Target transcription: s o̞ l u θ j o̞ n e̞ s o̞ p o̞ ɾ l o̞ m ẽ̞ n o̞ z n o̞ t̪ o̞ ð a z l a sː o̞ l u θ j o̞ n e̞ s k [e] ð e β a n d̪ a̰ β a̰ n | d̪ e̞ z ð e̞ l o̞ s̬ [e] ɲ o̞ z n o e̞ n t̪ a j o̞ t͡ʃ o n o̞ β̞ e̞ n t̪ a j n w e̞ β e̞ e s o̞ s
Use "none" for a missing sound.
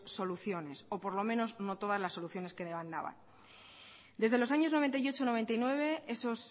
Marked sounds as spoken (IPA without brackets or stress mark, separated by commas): e, a